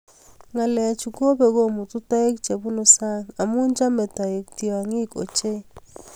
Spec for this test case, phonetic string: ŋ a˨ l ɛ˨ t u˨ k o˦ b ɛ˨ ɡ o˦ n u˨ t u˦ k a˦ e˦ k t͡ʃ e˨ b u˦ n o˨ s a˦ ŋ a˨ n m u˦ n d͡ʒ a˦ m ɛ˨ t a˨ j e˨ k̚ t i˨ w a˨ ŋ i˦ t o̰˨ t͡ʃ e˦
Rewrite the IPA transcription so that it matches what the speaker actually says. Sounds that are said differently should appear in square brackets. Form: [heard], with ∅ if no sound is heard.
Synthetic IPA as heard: ŋ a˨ l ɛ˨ [t͡ʃ] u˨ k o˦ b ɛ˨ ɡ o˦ [m] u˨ t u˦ [t] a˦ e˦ k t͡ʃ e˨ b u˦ n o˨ s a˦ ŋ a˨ [∅] m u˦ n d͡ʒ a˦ m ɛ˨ t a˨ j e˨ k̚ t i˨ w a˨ ŋ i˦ [k] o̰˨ t͡ʃ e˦

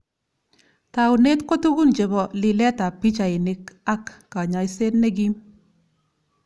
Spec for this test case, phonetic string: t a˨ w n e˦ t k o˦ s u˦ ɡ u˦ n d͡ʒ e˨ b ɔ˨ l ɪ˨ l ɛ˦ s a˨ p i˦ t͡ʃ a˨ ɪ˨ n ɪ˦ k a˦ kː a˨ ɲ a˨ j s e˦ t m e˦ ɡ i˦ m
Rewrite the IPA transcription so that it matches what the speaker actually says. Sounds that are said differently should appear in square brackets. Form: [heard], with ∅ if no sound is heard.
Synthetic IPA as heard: t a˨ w n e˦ t k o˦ [t] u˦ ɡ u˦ n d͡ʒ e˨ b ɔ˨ l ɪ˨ l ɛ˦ [t] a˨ p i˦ t͡ʃ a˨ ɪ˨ n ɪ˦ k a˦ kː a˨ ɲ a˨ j s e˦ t [n] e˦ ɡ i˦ m

